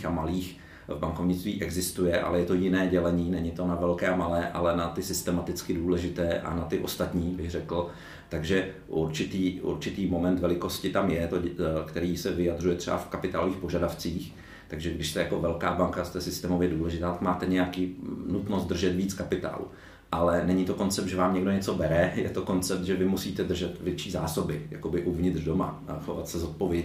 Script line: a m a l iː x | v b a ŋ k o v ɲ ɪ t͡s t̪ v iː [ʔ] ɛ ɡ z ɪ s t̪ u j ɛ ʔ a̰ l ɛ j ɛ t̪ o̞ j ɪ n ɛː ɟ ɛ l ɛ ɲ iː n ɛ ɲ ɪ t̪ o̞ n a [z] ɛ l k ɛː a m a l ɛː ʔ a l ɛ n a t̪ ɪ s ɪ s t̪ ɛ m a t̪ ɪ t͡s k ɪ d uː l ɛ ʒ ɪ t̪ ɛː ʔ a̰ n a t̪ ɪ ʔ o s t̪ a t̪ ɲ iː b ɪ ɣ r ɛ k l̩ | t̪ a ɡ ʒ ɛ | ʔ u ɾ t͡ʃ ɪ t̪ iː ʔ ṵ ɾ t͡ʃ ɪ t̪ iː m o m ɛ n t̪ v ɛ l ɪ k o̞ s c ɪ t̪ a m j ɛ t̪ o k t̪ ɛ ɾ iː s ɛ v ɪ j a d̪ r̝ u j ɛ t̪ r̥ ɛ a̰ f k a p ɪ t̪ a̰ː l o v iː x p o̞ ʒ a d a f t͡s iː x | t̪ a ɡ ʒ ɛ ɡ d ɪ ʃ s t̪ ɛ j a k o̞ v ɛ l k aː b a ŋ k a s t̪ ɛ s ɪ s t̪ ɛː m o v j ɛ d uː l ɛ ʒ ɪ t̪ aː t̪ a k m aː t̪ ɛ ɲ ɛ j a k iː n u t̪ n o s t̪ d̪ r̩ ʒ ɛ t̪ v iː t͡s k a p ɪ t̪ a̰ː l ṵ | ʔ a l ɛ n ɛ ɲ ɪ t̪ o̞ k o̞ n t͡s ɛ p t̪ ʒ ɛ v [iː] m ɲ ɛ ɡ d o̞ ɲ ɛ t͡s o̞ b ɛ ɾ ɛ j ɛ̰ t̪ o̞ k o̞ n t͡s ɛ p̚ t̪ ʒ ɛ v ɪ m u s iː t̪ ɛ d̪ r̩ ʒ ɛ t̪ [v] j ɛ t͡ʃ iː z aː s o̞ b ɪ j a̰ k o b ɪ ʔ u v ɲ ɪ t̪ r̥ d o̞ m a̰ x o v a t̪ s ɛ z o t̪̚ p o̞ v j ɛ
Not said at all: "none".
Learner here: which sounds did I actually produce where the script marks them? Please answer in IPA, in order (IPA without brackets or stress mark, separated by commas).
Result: ʔ, v, aː, v